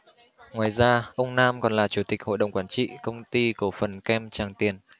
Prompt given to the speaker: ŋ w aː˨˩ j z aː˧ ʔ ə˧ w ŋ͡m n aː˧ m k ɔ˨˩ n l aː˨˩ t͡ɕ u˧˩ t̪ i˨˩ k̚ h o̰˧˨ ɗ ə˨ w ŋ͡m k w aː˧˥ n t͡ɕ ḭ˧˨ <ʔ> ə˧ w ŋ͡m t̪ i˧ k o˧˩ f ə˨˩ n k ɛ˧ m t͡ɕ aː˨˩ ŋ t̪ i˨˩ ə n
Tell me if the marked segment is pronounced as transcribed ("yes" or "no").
no